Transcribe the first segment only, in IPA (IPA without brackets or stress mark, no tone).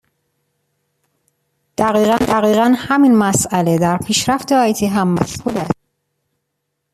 d̪̥